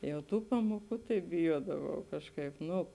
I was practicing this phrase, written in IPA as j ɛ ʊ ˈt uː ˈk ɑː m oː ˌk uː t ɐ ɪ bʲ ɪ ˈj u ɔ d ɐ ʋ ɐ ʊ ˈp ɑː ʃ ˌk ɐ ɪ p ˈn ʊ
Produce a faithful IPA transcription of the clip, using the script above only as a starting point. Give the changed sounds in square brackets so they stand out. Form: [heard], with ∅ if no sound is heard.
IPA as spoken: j ɛ ʊ ˈt uː [ˈp] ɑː m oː ˌk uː t ɐ ɪ bʲ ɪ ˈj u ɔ d ɐ ʋ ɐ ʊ [ˈk] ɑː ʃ ˌk ɐ ɪ p ˈn ʊ